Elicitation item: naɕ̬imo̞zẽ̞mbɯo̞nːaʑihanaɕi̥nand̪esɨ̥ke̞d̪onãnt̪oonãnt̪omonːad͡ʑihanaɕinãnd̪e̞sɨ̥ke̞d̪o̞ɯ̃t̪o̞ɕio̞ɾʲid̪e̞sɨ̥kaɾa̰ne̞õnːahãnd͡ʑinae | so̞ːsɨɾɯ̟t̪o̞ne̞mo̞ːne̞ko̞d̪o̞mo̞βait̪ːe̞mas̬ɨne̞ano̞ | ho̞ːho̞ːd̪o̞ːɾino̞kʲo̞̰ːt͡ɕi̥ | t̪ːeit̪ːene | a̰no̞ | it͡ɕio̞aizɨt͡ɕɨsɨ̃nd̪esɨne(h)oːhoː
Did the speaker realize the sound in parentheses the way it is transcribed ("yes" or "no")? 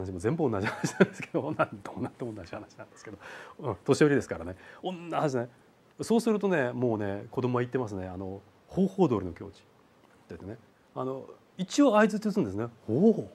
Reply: yes